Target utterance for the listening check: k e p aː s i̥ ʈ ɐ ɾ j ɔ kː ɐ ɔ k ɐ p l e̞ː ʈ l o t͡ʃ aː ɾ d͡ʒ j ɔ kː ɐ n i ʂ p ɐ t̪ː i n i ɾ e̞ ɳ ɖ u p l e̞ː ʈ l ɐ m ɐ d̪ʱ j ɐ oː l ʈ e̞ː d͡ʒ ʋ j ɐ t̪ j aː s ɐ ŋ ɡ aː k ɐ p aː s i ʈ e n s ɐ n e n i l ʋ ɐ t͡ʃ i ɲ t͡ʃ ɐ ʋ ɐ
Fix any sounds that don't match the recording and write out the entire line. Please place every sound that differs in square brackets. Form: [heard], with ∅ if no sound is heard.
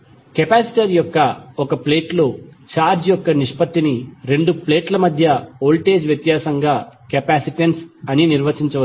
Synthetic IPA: k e p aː s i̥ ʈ ɐ ɾ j ɔ kː ɐ ɔ k ɐ p l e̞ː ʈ l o t͡ʃ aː ɾ d͡ʒ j ɔ kː ɐ n i ʂ p ɐ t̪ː i n i ɾ e̞ ɳ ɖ u p l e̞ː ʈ l ɐ m ɐ d̪ʱ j ɐ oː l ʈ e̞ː d͡ʒ ʋ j ɐ t̪ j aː s ɐ ŋ ɡ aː k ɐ p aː s i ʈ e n s ɐ n [i] n i [ɾ] ʋ ɐ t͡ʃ i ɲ t͡ʃ ɐ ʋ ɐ